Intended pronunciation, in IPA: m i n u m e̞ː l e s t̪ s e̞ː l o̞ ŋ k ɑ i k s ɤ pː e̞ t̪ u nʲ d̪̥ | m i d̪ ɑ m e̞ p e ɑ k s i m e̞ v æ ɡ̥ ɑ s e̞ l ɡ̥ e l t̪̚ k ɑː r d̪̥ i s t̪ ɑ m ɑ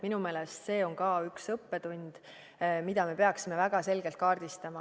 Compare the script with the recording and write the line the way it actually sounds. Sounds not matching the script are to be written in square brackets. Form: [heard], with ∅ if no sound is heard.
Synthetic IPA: m i n u m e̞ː l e s t̪ s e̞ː [∅] o̞ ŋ k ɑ [y] k s ɤ pː e̞ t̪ u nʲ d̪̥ | m i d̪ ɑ m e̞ p e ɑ k s i m e̞ v æ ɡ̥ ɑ s e̞ l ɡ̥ e l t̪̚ k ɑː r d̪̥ i s t̪ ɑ m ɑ